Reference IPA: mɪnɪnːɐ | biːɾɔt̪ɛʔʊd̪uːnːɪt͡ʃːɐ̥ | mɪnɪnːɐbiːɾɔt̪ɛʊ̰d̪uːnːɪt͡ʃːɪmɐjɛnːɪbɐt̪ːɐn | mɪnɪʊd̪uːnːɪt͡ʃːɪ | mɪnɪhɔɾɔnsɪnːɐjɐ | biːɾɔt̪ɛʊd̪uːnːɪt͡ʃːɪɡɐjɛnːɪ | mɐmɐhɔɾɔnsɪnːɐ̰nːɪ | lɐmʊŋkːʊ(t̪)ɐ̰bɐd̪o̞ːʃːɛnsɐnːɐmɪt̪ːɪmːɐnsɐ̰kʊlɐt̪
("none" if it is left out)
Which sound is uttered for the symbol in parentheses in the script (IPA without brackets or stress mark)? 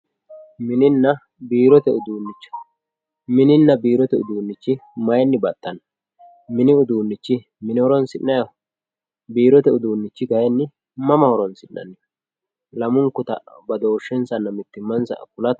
t̪